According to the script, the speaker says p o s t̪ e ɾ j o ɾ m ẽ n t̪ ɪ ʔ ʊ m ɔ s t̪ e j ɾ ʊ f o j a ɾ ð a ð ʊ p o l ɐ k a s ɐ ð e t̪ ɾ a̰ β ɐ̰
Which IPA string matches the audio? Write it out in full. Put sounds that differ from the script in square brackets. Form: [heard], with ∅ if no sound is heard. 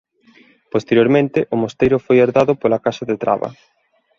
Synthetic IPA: p o s t̪ e ɾ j o ɾ m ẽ n t̪ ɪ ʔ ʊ m [o] s t̪ e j ɾ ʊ f o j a ɾ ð a ð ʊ p o l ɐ k a s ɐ ð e t̪ ɾ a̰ β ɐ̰